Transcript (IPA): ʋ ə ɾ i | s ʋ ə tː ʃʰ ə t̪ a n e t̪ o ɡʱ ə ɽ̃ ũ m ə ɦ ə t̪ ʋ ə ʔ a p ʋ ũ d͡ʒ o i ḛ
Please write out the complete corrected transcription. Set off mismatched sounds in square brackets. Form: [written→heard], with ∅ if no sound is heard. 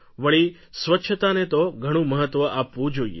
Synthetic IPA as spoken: ʋ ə [ɾ→ɭ] i | s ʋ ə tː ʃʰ ə t̪ a n e t̪ o ɡʱ ə ɽ̃ ũ m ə ɦ ə t̪ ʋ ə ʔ a p ʋ ũ d͡ʒ o i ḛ